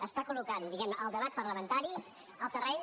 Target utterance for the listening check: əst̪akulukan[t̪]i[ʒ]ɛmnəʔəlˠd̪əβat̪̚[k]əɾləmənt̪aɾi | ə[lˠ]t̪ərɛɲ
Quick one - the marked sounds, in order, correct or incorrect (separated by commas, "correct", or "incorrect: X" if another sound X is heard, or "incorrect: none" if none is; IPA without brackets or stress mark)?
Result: incorrect: d̪, incorrect: ɣ, incorrect: p, correct